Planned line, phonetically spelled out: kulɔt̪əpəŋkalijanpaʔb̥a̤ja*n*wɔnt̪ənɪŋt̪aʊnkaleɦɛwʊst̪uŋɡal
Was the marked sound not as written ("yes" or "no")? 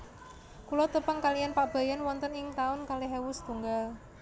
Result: no